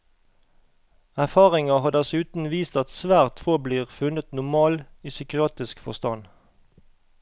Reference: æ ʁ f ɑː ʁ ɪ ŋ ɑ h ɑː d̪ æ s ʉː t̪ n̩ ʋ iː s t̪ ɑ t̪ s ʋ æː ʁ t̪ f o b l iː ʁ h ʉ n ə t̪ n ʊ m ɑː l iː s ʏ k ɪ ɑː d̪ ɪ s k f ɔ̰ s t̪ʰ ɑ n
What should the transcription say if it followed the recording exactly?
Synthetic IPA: æ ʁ f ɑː ʁ ɪ ŋ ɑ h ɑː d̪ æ s ʉː t̪ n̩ ʋ iː s t̪ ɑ t̪ s ʋ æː ʁ t̪ f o b l iː ʁ f ʉ n ə t̪ n ʊ m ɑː l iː s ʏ k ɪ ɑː t̪ ɪ s k f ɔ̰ s t̪ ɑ n